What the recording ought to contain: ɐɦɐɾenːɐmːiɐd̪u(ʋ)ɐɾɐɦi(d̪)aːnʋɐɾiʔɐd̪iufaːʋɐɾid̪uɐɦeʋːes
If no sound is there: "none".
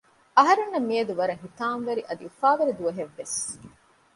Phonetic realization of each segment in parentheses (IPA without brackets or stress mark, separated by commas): ʋ, t̪